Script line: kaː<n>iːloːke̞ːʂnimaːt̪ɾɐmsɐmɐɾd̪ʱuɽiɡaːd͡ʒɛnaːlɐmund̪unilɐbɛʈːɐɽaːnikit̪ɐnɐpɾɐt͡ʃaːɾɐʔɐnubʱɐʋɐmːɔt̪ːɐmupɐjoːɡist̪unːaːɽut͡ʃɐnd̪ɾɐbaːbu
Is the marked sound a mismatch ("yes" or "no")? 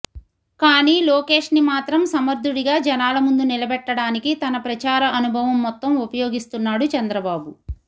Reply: no